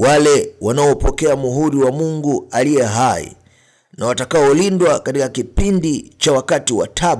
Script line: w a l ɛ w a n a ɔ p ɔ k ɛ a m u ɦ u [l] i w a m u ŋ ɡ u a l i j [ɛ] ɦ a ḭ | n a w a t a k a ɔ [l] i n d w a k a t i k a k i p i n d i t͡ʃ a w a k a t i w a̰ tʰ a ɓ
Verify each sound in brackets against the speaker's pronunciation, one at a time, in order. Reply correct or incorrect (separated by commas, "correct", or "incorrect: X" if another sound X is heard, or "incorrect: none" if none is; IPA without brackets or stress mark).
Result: incorrect: ɾ, correct, correct